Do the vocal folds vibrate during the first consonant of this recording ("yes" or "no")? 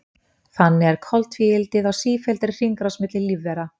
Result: no